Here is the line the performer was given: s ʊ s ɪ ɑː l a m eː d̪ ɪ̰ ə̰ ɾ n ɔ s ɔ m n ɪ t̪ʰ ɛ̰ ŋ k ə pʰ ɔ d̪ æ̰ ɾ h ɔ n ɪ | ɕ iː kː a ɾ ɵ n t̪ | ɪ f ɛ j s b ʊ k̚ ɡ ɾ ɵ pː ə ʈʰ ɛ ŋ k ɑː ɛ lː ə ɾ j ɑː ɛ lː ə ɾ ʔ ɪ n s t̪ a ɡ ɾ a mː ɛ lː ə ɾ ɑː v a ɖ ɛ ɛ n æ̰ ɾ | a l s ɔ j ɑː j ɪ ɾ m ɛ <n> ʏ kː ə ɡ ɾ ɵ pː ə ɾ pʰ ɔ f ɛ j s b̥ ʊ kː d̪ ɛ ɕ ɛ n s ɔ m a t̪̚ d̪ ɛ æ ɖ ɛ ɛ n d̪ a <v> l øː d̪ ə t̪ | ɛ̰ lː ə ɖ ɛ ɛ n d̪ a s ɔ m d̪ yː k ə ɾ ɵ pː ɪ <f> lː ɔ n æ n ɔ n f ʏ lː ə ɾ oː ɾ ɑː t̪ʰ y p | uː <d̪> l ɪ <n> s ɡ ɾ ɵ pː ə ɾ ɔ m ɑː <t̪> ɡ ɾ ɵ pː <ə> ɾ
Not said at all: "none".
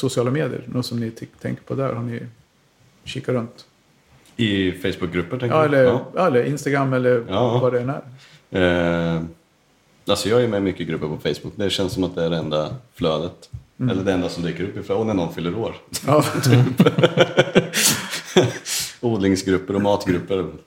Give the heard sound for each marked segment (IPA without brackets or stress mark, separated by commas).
m, f, f, d̪, ŋ, t̪, ə